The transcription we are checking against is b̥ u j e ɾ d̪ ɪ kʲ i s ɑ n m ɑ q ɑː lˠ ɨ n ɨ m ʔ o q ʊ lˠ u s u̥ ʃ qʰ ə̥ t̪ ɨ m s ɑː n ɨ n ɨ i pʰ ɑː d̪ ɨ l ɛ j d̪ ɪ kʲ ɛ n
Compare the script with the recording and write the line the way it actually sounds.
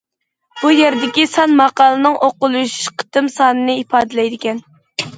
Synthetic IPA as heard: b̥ u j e ɾ d̪ ɪ kʲ i s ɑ n m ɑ q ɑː lˠ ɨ n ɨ ŋ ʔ o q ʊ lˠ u ʃ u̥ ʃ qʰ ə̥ t̪ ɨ m s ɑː n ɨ n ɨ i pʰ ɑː d̪ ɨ l ɛ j d̪ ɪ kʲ ɛ n